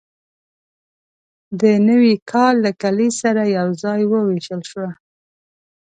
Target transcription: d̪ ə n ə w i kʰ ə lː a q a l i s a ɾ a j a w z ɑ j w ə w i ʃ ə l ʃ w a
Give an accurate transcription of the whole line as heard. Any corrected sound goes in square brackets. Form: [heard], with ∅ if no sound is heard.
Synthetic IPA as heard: d̪ ə n ə w i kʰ [ɑ] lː a [k] a l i s a ɾ a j a w z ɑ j w ə w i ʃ ə l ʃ w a